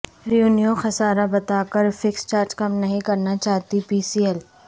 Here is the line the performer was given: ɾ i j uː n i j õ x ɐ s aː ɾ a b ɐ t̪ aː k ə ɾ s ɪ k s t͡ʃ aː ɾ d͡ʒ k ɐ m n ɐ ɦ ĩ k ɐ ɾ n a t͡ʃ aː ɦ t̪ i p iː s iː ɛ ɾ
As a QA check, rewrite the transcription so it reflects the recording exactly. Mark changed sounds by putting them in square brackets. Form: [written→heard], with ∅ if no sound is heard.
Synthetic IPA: ɾ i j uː n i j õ x ɐ s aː ɾ a b ɐ t̪ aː k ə ɾ [s→f] ɪ k s t͡ʃ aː ɾ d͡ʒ k ɐ m n ɐ ɦ ĩ k ɐ ɾ n a t͡ʃ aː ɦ t̪ i p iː s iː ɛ [ɾ→l]

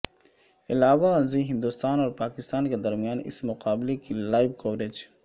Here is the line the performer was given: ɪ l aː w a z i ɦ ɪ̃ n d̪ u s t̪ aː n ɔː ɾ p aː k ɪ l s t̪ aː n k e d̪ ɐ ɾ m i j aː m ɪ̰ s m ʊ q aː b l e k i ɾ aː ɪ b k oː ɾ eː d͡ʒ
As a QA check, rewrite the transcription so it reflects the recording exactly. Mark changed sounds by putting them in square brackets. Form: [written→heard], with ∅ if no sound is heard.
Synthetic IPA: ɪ l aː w a z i ɦ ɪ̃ n d̪ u s t̪ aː n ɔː ɾ p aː k ɪ [l→∅] s t̪ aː n k e d̪ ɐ ɾ m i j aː [m→n] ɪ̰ s m ʊ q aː b l e k i [ɾ→l] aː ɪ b k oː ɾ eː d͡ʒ

